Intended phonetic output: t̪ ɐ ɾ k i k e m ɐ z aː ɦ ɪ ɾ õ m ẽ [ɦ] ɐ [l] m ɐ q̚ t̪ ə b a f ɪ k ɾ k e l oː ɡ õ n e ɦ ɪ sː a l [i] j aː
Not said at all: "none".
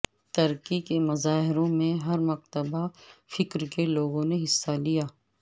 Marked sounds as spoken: ɦ, ɾ, i

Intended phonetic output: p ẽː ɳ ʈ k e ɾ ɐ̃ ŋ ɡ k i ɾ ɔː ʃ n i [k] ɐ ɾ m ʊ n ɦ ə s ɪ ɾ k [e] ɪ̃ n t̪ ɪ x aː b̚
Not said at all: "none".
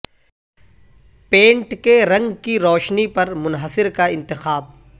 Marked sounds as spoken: p, a

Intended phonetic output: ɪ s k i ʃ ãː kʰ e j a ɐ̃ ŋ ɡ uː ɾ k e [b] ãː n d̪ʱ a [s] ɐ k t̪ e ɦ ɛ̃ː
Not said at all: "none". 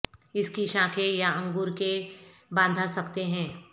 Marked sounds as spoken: b, s

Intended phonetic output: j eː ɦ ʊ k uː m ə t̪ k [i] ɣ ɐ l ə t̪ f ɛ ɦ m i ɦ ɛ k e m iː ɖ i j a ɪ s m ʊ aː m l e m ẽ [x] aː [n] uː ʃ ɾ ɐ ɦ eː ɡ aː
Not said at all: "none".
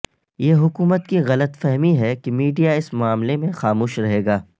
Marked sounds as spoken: i, x, m

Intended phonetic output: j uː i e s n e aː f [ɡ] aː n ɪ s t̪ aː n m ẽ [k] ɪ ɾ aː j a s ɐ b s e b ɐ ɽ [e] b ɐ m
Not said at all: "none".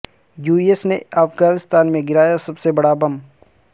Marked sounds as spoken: ɡ, ɡ, a

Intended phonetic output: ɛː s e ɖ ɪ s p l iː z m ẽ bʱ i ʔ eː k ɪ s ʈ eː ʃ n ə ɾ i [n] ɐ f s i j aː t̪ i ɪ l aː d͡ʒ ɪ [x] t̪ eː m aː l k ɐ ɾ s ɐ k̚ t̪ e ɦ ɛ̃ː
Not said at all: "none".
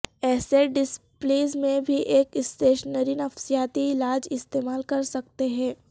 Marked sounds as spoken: n, s

